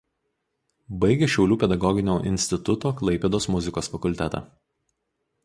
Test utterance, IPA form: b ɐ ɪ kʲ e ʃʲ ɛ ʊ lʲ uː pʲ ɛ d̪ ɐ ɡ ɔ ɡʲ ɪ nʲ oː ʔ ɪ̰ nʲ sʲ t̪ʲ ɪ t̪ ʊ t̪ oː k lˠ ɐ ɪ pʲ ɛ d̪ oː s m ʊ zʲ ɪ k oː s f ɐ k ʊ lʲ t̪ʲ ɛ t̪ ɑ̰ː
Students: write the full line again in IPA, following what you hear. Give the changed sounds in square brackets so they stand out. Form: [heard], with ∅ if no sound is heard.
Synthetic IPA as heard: b ɐ ɪ [ɡʲ] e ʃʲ ɛ ʊ lʲ uː pʲ ɛ d̪ ɐ ɡ ɔ ɡʲ ɪ nʲ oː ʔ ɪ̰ nʲ sʲ t̪ʲ ɪ t̪ ʊ t̪ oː k lˠ ɐ ɪ pʲ ɛ d̪ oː s m ʊ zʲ ɪ k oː s f ɐ k ʊ lʲ t̪ʲ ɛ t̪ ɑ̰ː

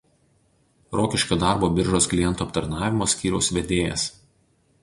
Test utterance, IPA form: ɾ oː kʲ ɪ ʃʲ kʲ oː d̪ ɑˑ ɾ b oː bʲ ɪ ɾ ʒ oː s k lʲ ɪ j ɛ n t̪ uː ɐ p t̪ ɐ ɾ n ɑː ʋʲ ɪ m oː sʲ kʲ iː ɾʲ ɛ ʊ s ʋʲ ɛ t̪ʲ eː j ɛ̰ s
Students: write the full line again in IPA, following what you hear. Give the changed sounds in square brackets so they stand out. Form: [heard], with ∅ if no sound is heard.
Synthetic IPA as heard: ɾ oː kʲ ɪ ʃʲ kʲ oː d̪ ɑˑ ɾ b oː bʲ ɪ ɾ ʒ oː s k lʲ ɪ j ɛ n t̪ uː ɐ p t̪ ɐ ɾ n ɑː ʋʲ ɪ m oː sʲ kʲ iː ɾʲ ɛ ʊ s ʋʲ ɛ [d̪ʲ] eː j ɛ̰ s

